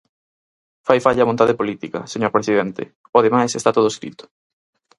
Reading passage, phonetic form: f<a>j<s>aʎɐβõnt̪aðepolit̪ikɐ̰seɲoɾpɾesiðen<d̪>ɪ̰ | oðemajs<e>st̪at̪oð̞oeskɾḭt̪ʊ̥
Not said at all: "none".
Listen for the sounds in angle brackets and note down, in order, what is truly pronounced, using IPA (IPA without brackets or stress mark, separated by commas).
a, f, t̪, e